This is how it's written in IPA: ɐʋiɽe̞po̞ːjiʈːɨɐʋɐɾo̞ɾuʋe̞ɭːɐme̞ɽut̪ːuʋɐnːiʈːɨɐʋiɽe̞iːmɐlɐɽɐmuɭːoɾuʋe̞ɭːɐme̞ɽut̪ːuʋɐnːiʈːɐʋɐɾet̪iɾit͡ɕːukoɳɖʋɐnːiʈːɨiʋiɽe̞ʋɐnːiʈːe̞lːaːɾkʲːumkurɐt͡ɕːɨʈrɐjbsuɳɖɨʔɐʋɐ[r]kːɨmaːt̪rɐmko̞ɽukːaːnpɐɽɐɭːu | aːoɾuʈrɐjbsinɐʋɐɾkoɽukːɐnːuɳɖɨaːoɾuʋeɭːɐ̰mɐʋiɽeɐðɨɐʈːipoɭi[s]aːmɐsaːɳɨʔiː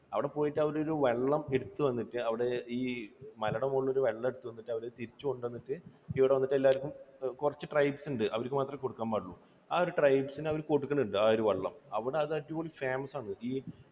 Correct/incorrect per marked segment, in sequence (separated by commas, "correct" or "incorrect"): incorrect, incorrect